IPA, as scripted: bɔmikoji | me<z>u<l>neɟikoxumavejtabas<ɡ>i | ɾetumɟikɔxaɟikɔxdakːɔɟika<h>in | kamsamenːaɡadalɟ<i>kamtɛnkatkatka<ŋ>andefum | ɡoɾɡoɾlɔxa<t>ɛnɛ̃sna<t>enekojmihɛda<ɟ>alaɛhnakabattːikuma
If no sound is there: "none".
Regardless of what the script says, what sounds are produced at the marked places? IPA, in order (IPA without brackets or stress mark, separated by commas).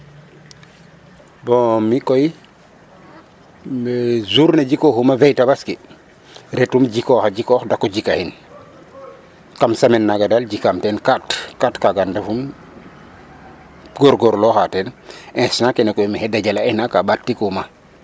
z, ɾ, k, h, i, ɡ, t, k, ɟ